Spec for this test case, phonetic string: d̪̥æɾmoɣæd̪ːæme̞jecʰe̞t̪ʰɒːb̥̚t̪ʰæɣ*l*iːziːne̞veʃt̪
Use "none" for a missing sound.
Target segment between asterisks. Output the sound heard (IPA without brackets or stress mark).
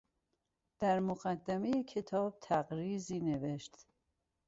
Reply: ɾ